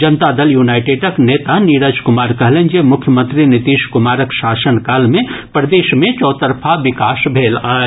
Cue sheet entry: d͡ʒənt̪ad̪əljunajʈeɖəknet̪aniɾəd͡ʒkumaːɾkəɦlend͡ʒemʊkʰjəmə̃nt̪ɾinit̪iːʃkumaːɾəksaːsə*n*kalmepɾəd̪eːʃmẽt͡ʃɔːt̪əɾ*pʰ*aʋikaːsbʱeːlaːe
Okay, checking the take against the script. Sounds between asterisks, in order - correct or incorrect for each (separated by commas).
correct, correct